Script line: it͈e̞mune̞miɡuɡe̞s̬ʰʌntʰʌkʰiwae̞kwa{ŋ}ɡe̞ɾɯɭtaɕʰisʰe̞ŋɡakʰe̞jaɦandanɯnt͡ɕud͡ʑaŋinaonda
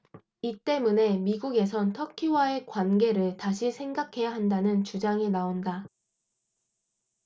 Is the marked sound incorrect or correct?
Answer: incorrect